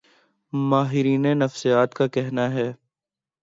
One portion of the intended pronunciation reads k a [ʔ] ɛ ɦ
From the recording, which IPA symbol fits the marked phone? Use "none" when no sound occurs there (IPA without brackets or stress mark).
k